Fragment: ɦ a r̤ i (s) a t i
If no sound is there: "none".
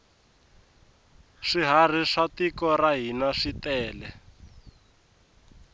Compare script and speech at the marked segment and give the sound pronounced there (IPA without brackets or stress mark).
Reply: ʂ